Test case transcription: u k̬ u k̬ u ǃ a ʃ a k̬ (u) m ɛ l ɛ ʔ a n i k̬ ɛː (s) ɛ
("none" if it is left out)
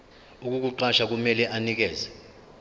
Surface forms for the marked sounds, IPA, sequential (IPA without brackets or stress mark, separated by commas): u, z